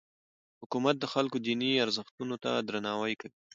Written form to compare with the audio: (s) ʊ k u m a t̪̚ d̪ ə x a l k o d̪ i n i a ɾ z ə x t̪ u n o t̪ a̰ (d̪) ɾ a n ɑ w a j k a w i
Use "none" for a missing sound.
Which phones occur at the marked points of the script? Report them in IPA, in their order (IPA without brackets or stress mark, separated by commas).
h, d̪